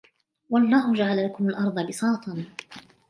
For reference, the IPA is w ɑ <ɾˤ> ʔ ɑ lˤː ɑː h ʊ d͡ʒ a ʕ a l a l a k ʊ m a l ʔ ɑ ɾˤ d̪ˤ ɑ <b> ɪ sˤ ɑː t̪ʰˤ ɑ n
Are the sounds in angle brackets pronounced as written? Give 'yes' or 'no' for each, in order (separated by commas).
no, yes